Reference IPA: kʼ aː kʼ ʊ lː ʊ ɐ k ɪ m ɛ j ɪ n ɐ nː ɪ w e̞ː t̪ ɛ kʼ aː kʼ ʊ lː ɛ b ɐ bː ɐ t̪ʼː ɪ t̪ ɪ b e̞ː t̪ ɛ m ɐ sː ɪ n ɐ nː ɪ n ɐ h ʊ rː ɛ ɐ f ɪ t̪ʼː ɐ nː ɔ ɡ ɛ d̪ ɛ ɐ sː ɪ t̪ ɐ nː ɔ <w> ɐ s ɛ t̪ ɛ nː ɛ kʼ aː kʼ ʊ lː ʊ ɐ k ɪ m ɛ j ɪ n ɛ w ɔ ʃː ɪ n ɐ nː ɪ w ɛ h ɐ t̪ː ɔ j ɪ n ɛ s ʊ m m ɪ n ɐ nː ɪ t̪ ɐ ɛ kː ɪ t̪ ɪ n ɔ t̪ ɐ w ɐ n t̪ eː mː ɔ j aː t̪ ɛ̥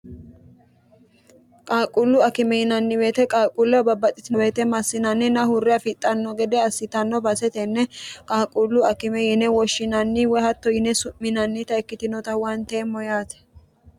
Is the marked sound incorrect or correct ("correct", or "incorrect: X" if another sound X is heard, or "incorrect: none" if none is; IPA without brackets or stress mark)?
incorrect: b